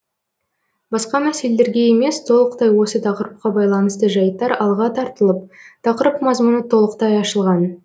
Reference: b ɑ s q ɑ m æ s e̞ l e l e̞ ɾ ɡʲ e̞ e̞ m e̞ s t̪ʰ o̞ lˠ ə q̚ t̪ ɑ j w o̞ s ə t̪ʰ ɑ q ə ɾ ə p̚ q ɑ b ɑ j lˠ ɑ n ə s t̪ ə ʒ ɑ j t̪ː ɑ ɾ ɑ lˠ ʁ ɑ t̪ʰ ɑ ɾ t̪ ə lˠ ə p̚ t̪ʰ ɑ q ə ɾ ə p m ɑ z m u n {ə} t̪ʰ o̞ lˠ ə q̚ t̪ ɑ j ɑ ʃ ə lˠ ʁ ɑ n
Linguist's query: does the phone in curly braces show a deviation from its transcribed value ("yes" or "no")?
no